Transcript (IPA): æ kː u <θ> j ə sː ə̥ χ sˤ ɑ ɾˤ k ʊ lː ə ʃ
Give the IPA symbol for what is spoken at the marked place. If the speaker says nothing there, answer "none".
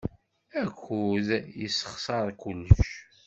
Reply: ð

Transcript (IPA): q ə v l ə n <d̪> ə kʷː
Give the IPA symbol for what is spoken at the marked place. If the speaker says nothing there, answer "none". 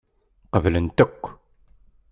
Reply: t̪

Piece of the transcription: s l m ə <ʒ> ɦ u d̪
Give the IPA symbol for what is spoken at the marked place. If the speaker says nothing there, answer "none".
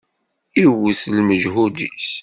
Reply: ʒ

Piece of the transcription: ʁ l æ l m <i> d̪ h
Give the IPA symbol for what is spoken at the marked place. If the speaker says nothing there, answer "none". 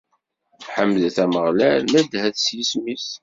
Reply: æ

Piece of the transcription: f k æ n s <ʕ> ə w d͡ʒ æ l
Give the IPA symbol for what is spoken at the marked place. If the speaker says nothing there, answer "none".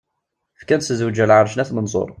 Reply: z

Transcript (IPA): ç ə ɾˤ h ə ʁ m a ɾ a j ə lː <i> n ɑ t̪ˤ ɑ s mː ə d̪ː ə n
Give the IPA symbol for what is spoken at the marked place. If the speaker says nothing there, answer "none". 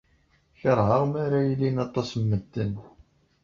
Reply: i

